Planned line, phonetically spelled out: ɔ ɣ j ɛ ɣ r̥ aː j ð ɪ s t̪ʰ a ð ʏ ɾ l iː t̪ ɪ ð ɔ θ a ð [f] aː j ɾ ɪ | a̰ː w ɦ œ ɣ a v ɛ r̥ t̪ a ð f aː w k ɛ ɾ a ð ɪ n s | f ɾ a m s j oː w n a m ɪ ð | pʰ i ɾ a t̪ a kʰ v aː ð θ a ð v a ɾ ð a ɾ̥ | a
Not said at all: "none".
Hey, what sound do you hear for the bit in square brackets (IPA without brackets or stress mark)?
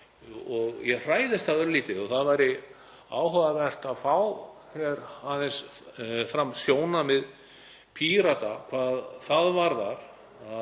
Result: v